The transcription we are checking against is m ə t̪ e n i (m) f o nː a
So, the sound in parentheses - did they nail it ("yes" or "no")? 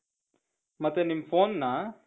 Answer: yes